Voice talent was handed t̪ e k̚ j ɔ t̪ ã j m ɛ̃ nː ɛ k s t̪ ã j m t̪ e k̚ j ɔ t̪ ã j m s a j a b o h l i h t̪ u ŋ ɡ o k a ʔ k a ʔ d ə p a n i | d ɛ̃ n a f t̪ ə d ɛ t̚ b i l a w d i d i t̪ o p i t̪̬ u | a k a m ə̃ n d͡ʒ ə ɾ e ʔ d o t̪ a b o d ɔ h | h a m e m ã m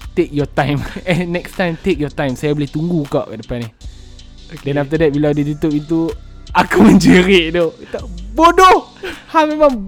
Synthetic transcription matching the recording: t̪ e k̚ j ɔ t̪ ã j m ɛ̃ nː ɛ k s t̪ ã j m t̪ e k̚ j ɔ t̪ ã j m s a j a b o l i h t̪ u ŋ ɡ u k a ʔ k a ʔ d ə p a n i | d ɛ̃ n a f t̪ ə d ɛ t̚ b i l a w d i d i t̪ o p i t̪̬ u | a k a m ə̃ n d͡ʒ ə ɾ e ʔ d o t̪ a b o d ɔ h | h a m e m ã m